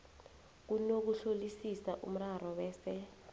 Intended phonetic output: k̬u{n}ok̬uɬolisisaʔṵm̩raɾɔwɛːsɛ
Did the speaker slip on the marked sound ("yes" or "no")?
no